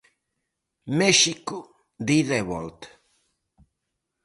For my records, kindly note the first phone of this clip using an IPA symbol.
m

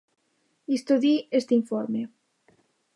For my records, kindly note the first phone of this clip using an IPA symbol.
i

